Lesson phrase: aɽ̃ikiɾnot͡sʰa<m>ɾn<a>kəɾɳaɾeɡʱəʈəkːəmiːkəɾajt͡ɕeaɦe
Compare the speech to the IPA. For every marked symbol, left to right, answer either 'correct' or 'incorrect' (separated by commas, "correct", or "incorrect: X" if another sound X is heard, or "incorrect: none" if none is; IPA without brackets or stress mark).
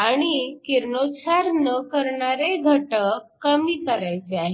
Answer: incorrect: none, incorrect: ə